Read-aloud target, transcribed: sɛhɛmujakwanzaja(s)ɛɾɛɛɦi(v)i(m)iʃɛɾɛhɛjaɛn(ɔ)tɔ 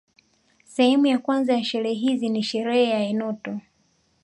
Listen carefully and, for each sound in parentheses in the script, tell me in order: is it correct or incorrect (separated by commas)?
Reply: incorrect, incorrect, incorrect, correct